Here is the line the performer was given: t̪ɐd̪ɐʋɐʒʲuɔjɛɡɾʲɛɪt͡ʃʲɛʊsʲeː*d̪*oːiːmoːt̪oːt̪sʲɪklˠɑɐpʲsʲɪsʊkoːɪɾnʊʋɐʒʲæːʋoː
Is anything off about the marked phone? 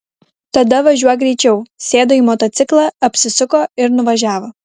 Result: no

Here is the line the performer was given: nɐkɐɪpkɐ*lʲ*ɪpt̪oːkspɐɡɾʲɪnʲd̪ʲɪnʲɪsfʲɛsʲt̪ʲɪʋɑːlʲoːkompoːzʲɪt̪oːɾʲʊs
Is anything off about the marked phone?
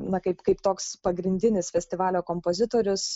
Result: yes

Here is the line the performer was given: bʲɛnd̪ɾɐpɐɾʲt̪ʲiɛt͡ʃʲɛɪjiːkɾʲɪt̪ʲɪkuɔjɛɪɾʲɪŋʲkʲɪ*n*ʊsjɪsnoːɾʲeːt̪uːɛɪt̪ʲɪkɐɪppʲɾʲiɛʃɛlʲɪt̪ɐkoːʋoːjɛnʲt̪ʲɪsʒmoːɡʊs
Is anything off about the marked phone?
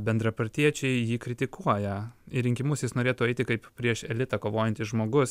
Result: yes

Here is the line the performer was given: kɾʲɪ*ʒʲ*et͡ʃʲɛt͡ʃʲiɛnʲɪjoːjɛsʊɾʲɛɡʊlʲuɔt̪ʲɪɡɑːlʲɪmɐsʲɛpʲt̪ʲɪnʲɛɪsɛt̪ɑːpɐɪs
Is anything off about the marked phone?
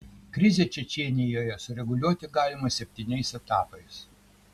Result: yes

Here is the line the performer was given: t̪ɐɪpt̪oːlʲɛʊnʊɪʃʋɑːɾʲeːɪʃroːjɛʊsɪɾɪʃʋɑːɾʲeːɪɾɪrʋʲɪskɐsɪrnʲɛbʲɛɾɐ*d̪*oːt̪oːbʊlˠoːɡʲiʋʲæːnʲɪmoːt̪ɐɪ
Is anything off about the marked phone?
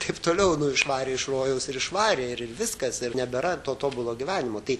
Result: yes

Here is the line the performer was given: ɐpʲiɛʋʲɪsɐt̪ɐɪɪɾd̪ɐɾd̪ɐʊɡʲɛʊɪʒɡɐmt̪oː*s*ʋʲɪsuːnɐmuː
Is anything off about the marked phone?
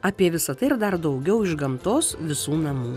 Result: no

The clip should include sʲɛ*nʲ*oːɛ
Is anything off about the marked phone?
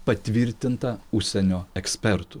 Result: no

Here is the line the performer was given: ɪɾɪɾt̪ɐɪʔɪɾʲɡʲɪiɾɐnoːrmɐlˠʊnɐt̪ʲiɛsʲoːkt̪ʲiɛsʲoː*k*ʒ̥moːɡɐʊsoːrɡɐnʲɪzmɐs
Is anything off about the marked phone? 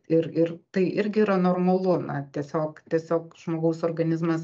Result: no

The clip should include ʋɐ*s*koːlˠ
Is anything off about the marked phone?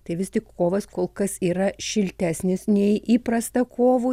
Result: no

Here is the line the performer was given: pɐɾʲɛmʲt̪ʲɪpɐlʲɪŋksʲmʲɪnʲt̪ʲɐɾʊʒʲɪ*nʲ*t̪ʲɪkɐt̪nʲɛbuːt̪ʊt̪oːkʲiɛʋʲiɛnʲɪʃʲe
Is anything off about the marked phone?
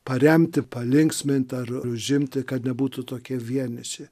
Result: yes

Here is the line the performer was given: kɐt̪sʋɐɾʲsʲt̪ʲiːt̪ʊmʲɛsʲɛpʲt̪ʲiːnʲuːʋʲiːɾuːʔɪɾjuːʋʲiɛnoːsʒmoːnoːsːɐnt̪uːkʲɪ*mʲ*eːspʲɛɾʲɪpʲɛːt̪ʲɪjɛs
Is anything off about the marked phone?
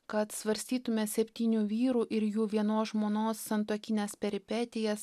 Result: yes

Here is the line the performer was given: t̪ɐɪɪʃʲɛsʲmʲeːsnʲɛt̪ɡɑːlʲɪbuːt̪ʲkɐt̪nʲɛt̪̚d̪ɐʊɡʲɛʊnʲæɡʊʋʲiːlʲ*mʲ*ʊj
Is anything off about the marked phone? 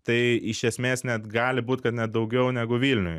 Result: yes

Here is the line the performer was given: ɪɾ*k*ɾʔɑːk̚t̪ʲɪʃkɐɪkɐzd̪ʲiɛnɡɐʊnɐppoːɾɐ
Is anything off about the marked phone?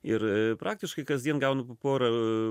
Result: yes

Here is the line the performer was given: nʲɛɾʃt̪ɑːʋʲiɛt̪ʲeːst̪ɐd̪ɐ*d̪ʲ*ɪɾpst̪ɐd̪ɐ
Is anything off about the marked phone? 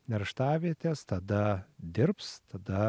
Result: no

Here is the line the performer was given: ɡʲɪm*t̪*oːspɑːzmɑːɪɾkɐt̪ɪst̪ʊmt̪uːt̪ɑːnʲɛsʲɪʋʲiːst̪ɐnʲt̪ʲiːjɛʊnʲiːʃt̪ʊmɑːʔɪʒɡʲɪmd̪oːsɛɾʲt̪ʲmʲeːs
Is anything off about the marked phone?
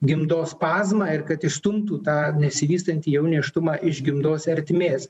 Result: yes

